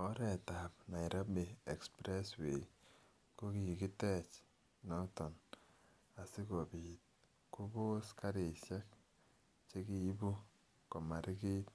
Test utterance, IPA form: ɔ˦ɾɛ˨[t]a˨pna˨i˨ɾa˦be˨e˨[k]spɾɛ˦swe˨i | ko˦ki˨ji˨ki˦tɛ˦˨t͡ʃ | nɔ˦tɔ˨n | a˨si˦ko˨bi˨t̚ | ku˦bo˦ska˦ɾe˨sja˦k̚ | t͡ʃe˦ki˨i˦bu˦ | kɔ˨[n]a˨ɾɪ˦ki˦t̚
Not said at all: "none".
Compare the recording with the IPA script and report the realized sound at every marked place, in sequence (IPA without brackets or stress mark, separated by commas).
t, k, m